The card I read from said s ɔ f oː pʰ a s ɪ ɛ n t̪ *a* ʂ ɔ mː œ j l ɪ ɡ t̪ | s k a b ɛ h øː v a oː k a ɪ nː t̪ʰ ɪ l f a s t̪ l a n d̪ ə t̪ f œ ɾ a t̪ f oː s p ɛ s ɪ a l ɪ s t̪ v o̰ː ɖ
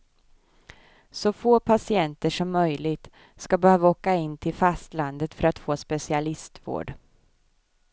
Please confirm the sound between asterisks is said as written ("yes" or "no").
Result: no